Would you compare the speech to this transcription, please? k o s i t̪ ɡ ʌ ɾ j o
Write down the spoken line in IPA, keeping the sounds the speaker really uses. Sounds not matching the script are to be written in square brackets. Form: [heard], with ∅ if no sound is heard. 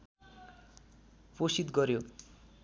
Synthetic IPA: [p] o s i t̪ ɡ ʌ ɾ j o